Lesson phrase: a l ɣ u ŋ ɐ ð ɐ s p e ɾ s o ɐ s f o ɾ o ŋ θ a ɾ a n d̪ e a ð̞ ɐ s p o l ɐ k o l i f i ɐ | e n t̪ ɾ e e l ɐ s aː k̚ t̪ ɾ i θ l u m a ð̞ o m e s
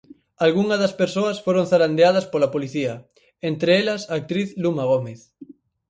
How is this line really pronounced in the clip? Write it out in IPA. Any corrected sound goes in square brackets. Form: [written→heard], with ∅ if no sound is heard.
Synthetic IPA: a l ɣ u ŋ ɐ ð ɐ s p e ɾ s o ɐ s f o ɾ o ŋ θ a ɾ a n d̪ e a ð̞ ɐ s p o l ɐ [k→p] o l i [f→θ] i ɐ | e n t̪ ɾ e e l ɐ s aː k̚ t̪ ɾ i θ l u m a [ð̞→ɣ̞] o m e [s→θ]